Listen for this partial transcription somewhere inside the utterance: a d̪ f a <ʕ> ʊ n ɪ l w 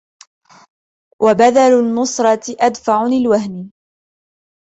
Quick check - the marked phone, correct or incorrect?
correct